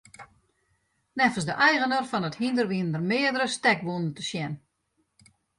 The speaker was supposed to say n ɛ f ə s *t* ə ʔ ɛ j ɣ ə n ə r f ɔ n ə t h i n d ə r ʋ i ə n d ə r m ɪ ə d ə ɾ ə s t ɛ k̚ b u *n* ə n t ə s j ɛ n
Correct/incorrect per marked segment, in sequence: incorrect, correct

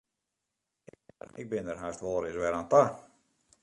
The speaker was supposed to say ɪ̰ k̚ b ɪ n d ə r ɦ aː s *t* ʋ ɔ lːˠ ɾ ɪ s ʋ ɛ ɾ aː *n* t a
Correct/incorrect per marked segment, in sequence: correct, correct

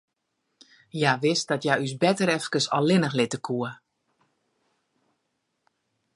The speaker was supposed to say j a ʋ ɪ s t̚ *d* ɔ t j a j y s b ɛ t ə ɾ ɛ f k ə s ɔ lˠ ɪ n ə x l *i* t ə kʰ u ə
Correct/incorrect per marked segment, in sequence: correct, incorrect

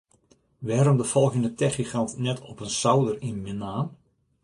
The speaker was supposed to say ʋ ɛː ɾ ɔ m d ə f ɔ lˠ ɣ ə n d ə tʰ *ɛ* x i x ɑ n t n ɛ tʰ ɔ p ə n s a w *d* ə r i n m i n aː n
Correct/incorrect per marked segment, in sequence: correct, correct

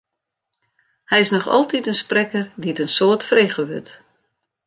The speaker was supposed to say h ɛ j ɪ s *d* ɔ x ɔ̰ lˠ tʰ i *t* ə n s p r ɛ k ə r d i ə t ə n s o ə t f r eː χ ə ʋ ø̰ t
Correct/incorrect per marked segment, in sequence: incorrect, correct

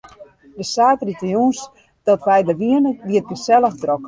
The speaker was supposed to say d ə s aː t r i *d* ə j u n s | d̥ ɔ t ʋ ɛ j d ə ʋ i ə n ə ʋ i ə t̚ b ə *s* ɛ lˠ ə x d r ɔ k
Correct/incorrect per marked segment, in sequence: incorrect, correct

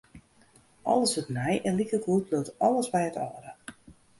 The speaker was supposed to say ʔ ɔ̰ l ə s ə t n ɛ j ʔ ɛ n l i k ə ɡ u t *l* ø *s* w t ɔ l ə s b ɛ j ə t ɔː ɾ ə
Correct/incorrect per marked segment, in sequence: correct, incorrect

